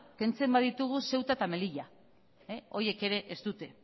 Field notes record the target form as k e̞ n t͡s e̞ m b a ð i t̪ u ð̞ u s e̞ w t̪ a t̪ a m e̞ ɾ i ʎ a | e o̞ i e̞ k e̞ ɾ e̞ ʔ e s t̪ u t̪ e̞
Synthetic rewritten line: k e̞ n t͡s e̞ m b a ð i t̪ u ɣ̞ u s e̞ w t̪ a t̪ a m e̞ l i ʎ a | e o̞ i e̞ k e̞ ɾ e̞ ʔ e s t̪ u t̪ e̞